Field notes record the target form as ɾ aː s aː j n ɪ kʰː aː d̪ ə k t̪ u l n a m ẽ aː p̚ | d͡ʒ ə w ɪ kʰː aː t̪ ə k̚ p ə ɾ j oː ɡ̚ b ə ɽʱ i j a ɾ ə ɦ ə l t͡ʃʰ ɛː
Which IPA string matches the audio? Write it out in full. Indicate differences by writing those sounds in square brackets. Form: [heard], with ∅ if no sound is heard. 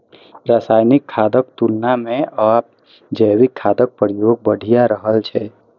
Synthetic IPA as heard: ɾ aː s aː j n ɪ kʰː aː d̪ ə k t̪ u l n a m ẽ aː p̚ | d͡ʒ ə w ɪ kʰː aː [d̪] ə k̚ p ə ɾ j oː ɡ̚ b ə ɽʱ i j a ɾ ə ɦ ə l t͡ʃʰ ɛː